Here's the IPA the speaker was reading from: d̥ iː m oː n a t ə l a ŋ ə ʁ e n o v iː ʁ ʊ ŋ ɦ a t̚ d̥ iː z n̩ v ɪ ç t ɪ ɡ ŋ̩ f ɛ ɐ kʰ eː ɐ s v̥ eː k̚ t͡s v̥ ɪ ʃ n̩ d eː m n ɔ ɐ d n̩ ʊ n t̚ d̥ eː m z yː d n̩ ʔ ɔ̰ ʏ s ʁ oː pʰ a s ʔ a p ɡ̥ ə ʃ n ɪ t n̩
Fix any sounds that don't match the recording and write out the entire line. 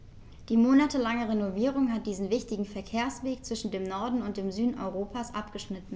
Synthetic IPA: d̥ iː m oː n a t ə l a ŋ ə ʁ e n o v iː ʁ ʊ ŋ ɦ a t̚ d̥ iː z n̩ v ɪ ç t ɪ ɡ ŋ̩ f ɛ ɐ kʰ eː ɐ s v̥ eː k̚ t͡s v̥ ɪ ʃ n̩ d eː m n ɔ ɐ d n̩ ʊ n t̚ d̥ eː m z yː d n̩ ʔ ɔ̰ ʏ ʁ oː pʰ a s ʔ a p ɡ̥ ə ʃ n ɪ t n̩